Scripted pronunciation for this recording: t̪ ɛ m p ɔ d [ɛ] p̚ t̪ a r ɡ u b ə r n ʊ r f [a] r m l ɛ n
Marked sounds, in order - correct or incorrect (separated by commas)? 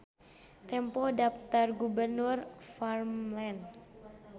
incorrect, correct